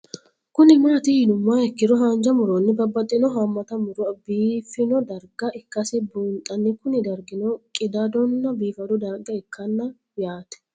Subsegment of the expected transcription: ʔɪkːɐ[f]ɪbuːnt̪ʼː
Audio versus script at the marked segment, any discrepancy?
yes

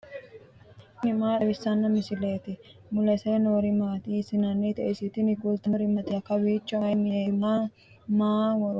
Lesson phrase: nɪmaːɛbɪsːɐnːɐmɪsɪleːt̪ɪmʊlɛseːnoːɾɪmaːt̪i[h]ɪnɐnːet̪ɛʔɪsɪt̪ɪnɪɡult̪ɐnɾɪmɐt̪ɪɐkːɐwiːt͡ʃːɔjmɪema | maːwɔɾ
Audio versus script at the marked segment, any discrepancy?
yes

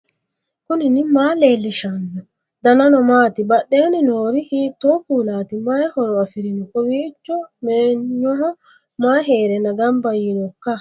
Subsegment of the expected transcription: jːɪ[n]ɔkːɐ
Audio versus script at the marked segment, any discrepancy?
no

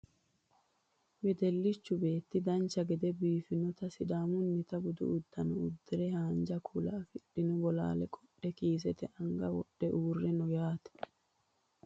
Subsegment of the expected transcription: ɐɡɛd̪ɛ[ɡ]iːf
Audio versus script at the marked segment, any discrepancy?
yes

